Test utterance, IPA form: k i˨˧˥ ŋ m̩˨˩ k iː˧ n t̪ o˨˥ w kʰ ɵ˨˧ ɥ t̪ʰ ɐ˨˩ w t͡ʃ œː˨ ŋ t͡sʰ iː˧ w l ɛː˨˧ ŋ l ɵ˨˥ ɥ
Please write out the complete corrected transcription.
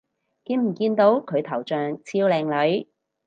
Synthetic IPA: k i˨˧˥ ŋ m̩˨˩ k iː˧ n t̪ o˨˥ w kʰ ɵ˨˧ ɥ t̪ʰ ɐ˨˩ w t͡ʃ œː˨ ŋ t͡sʰ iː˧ w l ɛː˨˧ ŋ l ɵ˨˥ ɥ